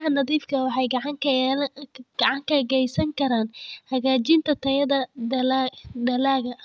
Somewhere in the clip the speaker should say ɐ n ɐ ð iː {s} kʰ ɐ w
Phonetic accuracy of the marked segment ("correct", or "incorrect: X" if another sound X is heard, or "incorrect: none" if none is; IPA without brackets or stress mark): incorrect: f